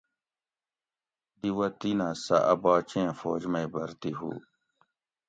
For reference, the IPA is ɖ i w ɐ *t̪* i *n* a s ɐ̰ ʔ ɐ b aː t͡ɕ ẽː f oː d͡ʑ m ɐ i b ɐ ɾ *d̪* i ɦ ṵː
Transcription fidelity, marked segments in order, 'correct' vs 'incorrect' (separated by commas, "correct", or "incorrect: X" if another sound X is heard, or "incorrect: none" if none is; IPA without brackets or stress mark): correct, correct, incorrect: t̪